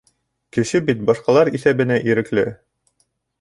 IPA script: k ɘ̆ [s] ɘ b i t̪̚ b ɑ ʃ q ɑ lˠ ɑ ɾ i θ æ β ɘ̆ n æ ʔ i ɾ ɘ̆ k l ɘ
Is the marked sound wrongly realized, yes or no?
yes